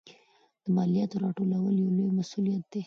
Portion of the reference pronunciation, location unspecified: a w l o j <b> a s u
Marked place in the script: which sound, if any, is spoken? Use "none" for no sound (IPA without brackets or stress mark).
m